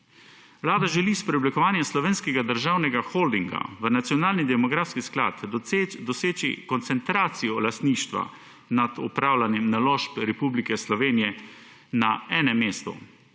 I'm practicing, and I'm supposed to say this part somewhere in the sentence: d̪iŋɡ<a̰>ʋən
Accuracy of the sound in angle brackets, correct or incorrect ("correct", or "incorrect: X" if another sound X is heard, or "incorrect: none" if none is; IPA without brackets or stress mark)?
correct